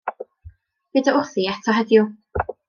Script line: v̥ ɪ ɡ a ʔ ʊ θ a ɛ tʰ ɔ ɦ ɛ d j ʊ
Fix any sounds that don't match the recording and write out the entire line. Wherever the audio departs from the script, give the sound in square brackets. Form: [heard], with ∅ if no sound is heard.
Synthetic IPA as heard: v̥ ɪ [d] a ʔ ʊ θ [i] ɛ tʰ ɔ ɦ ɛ d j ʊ